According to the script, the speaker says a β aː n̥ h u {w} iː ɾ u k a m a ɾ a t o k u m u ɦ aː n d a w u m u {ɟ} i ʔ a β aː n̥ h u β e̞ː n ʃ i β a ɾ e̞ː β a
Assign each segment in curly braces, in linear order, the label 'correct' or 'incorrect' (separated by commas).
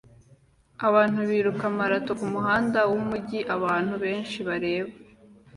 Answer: incorrect, correct